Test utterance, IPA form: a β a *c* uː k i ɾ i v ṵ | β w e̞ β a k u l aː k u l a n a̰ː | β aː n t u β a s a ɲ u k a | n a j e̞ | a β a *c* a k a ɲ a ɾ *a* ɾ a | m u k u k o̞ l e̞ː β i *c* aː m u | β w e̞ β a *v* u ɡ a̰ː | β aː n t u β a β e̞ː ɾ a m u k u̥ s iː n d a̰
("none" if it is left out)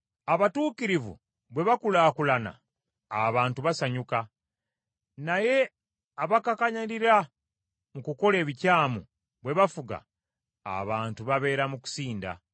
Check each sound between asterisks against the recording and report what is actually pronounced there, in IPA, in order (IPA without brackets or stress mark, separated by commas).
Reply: t, k, i, c, f